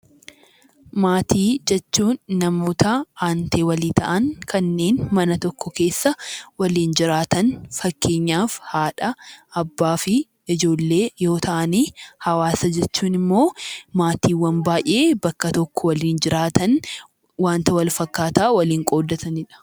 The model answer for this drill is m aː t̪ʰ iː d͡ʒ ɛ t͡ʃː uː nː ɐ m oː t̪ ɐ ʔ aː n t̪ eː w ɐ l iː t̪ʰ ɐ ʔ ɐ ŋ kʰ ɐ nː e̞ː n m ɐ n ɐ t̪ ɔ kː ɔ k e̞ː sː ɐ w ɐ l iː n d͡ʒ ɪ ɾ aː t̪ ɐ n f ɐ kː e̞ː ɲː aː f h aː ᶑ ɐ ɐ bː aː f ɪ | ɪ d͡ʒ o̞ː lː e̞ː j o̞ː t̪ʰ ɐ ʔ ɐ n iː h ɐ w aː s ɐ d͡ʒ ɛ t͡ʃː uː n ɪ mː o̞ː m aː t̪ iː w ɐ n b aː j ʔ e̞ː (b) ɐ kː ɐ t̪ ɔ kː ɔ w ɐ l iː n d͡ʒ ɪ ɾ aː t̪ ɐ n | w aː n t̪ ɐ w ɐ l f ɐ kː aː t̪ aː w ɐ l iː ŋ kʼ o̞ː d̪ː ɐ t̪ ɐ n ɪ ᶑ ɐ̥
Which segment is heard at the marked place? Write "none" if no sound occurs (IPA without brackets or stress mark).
b